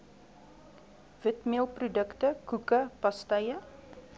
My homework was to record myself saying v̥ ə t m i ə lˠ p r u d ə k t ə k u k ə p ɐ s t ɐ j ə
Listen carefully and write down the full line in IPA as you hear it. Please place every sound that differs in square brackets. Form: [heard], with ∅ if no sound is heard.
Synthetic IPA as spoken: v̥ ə t m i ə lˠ p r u d ə k t ə k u k ə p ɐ s t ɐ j ə